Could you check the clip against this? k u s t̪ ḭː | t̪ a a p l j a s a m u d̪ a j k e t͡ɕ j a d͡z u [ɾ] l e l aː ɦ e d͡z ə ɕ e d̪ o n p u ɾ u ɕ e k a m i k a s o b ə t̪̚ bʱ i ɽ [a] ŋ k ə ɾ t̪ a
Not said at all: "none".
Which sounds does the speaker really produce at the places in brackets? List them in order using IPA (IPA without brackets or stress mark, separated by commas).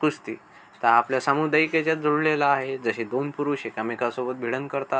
ɽ, ə